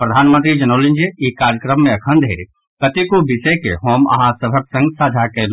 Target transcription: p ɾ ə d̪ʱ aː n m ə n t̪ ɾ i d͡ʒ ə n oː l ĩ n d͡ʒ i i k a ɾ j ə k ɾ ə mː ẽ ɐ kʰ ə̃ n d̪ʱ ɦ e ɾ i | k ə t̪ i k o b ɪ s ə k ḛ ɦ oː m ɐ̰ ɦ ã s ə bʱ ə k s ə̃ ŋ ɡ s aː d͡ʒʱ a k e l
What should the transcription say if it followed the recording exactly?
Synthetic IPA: p ɾ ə d̪ʱ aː n m ə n t̪ ɾ i d͡ʒ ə n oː l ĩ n d͡ʒ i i k a ɾ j ə k ɾ ə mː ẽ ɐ kʰ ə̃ n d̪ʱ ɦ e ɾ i | k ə t̪ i k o b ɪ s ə k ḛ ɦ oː m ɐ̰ ɦ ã s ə bʱ ə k s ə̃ ŋ ɡ s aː d͡ʒʱ a k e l